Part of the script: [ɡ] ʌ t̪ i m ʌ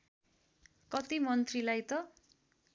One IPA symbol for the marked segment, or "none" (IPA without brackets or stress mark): k